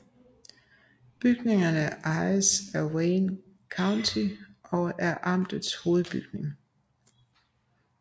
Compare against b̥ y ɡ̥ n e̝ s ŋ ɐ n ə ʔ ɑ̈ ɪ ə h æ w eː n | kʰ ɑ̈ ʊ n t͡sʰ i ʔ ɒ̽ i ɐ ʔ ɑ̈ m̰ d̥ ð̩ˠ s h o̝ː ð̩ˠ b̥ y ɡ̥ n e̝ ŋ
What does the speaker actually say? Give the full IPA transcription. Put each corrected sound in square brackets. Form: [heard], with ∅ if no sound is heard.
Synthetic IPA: b̥ y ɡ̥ n e̝ [∅] ŋ ɐ n ə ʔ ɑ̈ ɪ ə [s] æ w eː n | kʰ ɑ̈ ʊ n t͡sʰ i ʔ ɒ̽ [æ] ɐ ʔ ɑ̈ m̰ d̥ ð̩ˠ s h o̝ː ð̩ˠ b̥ y ɡ̥ n e̝ ŋ